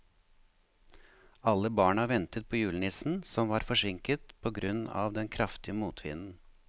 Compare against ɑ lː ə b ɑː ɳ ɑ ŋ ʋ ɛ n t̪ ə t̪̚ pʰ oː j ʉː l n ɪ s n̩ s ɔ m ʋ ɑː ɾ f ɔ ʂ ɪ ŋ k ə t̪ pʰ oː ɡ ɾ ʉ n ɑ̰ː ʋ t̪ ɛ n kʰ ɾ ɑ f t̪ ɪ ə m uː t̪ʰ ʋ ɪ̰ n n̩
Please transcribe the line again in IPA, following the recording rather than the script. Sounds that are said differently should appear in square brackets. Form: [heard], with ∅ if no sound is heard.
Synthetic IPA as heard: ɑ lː ə b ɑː ɳ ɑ [∅] ʋ ɛ n t̪ ə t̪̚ pʰ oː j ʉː l n ɪ s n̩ s ɔ m ʋ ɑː ɾ f ɔ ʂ ɪ ŋ k ə t̪ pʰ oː ɡ ɾ ʉ n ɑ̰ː ʋ [d̪] ɛ n kʰ ɾ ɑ f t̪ ɪ ə m uː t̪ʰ ʋ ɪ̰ n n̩